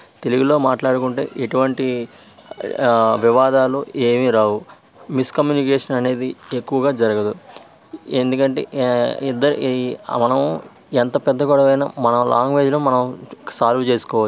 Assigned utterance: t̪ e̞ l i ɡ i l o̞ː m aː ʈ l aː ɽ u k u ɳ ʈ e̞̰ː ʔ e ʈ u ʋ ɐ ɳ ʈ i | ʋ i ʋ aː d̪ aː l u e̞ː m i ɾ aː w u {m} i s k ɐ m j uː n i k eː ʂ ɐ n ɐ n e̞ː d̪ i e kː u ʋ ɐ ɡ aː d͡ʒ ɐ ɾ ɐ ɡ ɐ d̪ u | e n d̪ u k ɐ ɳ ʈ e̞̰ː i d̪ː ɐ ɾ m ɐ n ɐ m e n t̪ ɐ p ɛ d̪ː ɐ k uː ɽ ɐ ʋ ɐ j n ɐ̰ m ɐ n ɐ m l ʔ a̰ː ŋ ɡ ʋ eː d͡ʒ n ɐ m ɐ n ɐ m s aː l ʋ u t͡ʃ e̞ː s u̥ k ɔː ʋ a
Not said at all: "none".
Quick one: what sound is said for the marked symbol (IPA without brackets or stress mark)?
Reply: m